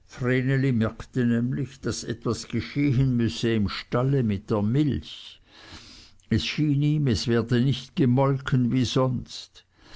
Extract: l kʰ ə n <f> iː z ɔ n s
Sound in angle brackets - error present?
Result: yes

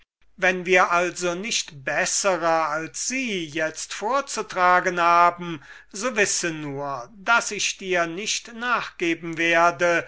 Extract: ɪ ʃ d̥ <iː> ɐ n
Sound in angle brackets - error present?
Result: no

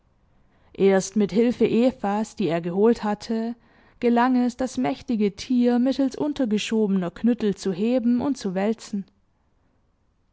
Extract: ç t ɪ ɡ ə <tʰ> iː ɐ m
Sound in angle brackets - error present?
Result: no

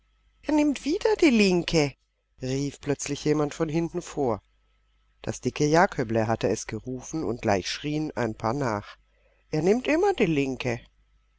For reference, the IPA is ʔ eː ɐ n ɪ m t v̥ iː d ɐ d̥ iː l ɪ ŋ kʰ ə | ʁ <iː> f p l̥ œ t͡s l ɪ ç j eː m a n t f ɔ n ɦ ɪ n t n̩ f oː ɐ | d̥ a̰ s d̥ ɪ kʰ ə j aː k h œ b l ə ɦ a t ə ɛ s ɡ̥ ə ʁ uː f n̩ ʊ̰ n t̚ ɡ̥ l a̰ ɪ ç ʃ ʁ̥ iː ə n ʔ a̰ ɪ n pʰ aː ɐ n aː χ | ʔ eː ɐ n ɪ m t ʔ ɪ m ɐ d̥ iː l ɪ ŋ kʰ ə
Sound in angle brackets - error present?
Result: no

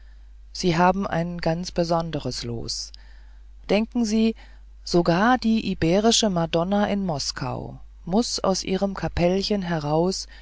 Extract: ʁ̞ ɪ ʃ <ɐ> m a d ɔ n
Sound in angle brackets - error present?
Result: yes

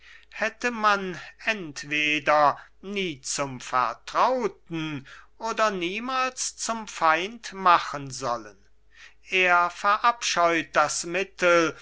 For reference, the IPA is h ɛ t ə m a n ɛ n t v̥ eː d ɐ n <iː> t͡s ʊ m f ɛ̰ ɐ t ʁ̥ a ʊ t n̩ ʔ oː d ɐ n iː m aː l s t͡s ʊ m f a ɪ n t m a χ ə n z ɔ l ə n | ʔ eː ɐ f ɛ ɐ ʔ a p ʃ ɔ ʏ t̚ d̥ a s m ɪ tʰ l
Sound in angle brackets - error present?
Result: no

